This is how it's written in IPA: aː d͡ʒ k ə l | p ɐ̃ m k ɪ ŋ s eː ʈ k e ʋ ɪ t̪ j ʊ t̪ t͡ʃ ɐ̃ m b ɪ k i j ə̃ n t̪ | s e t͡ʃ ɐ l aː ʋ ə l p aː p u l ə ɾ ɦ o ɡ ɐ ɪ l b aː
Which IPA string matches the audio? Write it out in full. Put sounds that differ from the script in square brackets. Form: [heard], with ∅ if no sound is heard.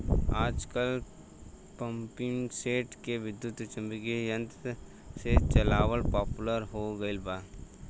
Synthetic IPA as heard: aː d͡ʒ k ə l | p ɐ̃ m [p] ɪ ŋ s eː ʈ k e ʋ ɪ [d̪] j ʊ t̪ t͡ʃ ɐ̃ m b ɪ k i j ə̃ n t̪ | s e t͡ʃ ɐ l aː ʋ ə l p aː p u l ə ɾ ɦ o ɡ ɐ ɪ l b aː